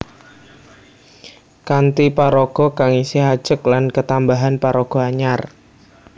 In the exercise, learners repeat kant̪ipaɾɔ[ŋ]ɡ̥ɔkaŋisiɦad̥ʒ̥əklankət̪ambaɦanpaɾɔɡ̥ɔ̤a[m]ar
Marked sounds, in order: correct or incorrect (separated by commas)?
incorrect, incorrect